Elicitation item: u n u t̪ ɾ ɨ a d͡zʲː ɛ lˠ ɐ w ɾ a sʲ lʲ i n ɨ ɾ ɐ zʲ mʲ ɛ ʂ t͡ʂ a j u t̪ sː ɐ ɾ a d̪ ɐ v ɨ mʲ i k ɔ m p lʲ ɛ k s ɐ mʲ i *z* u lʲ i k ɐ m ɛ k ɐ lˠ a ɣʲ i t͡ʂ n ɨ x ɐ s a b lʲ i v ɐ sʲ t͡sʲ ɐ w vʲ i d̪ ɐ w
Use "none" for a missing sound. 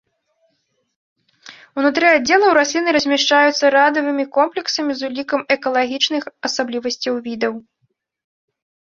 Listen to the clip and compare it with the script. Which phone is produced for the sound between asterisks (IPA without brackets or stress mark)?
z